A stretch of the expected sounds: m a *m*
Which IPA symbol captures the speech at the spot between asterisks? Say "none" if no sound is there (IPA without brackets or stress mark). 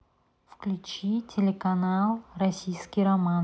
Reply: n